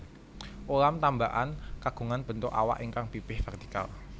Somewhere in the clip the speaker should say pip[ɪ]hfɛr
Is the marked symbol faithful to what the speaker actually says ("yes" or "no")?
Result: yes